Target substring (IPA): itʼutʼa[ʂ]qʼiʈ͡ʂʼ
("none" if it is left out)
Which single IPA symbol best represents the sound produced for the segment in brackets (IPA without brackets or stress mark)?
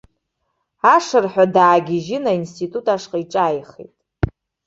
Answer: ʂ